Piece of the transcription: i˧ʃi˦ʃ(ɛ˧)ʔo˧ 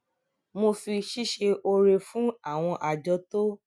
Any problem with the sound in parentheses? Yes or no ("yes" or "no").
yes